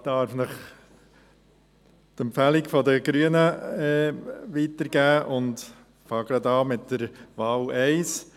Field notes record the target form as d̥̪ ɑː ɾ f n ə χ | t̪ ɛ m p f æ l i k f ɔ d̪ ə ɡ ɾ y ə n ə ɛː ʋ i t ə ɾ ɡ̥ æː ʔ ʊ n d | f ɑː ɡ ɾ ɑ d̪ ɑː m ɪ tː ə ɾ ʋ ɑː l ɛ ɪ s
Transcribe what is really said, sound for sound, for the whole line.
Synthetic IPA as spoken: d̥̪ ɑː ɾ f n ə χ | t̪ ɛ m p f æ l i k f ɔ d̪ ə ɡ ɾ y ə n ə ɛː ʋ i t ə ɾ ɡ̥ æː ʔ ʊ n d | f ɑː ɡ ɾ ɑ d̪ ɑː m ɪ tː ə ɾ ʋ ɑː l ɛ ɪ s

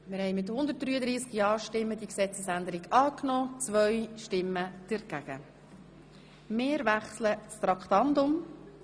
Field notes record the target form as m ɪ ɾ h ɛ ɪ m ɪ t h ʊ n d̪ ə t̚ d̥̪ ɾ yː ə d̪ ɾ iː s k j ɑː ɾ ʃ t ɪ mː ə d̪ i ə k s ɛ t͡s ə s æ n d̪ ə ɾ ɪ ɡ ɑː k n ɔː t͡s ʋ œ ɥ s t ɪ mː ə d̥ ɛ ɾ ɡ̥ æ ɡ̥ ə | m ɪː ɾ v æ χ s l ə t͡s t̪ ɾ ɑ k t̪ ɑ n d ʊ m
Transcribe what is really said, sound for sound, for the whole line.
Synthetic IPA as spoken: m ɪ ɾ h ɛ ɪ m ɪ t h ʊ n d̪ ə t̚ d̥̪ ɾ yː ə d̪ ɾ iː s k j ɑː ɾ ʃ t ɪ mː ə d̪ i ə k s ɛ t͡s ə s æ n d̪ ə ɾ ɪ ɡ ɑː k n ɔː t͡s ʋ œ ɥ ʃ t ɪ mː ə d̥ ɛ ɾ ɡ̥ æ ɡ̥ ə | m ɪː ɾ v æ χ s l ə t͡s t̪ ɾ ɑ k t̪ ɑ n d ʊ m

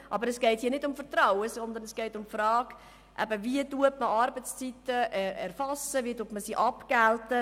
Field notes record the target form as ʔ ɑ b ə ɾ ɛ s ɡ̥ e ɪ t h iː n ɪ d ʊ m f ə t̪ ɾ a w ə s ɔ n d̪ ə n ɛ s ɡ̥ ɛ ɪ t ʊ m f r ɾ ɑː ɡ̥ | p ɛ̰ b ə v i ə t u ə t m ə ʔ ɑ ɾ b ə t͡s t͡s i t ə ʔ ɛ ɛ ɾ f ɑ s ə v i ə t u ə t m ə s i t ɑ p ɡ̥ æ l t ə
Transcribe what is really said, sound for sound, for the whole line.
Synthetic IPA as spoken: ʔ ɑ b ə ɾ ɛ s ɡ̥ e ɪ t h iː n ɪ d ʊ m f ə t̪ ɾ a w ə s ɔ n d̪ ə n ɛ s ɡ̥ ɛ ɪ t ʊ m f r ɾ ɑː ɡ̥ | ʔ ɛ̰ b ə v i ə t u ə t m ə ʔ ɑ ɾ b ə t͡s t͡s i t ə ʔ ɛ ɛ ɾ f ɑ s ə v i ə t u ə t m ə s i ʔ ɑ p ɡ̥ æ l t ə

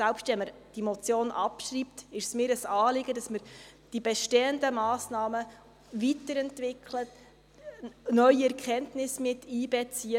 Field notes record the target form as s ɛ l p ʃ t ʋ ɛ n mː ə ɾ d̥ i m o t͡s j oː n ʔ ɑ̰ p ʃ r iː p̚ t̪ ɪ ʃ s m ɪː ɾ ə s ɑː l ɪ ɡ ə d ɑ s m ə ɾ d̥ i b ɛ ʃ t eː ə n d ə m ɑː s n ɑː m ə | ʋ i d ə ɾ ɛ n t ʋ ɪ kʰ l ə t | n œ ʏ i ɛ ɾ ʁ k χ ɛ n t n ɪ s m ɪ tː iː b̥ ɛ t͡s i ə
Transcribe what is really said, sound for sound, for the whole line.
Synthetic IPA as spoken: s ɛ l p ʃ t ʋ ɛ n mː ə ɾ d̥ i m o t͡s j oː n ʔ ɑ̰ p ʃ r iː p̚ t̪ ɪ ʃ s m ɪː ɾ ə s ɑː l ɪ ɡ ə d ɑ s m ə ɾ d̥ i b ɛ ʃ t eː ə n d ə m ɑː s n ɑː m ə | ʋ i t ə ɾ ɛ n t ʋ ɪ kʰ l ə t | n œ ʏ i ɛ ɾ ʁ k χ ɛ n t n ɪ s m ɪ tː iː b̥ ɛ t͡s i ə

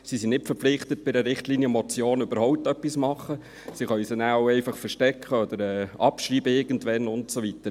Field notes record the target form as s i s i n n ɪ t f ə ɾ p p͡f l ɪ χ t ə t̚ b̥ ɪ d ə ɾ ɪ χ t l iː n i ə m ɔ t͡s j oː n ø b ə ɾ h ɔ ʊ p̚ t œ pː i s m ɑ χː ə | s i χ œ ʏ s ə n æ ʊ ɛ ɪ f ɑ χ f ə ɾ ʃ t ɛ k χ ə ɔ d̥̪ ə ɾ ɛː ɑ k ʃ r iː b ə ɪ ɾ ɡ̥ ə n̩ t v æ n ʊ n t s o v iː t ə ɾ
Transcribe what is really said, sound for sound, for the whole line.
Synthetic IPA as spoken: s i s i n n ɪ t f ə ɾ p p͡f l ɪ χ t ə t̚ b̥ ɪ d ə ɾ ɪ χ t l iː n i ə m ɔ t͡s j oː n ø b ə ɾ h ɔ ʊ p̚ t œ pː i s m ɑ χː ə | s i χ œ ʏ s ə n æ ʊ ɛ ɪ f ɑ χ f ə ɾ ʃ t ɛ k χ ə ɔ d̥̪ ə ɾ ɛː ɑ p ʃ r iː b ə ɪ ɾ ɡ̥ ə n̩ t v ɛ n ʊ n t s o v i t ə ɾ

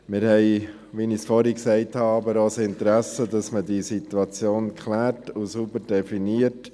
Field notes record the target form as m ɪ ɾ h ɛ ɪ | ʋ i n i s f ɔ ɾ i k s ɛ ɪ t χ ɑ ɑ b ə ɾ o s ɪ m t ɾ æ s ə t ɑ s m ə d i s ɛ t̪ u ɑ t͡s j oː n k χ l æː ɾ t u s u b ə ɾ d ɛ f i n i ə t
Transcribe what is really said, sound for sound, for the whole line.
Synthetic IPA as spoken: m ɪ ɾ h ɛ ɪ | ʋ i n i s f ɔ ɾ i k s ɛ ɪ t h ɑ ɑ b ə ɾ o s ɪ n t ɾ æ s ə d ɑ s m ə d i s i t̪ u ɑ t͡s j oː n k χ l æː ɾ t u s u b ə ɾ d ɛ f i n i ə t

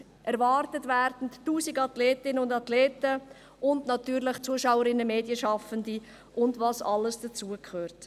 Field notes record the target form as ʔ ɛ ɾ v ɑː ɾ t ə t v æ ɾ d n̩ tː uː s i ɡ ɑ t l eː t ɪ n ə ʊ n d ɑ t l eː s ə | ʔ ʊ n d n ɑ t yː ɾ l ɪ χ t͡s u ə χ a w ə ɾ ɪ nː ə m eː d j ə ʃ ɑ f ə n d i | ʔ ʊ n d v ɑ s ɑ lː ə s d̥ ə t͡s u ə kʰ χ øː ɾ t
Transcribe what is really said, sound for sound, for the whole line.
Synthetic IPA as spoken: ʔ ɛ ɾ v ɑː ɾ t ə t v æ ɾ d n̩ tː uː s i ɡ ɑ t l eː t ɪ n ə ʊ n d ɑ t l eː t ə | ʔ ʊ n d n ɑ t yː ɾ l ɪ χ t͡s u ə ʃ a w ə ɾ ɪ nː ə m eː d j ə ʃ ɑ f ə n d i | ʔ ʊ n d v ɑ s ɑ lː ə s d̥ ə t͡s u ə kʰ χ øː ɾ t

